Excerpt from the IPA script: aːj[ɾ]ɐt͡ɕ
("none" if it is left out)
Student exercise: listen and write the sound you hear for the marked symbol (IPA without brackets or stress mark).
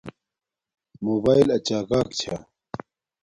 l